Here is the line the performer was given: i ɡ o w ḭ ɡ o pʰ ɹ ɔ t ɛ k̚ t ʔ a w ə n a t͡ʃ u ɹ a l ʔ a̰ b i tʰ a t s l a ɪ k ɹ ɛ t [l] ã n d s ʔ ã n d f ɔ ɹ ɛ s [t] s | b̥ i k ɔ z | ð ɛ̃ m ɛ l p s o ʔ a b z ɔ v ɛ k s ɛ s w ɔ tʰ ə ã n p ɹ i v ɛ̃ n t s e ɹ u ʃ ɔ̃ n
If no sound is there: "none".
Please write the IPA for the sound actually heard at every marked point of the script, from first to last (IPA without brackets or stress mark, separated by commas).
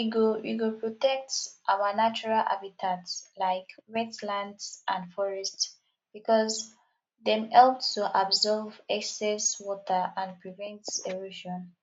l, t